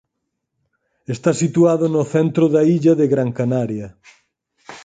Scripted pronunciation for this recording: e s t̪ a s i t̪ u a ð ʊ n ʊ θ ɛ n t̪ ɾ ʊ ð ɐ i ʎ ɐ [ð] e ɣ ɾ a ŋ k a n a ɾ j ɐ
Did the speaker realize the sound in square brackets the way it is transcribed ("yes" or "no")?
yes